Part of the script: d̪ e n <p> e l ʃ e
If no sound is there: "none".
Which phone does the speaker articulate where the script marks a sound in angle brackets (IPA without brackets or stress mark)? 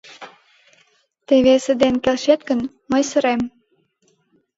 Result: k